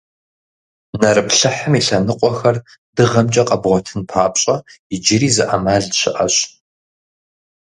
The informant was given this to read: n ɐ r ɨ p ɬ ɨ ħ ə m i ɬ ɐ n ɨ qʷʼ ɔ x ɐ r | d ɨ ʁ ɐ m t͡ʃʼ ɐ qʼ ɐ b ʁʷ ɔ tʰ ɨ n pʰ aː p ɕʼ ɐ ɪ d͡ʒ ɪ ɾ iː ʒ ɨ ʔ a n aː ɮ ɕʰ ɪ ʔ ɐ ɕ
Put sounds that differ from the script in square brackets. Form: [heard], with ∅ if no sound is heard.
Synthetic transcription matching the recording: n ɐ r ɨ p ɬ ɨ ħ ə m i ɬ ɐ n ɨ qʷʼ ɔ x ɐ r | d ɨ ʁ ɐ m t͡ʃʼ ɐ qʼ ɐ b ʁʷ ɔ tʰ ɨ n pʰ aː p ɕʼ ɐ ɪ d͡ʒ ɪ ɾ iː [z] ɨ ʔ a [m] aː ɮ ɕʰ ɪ ʔ ɐ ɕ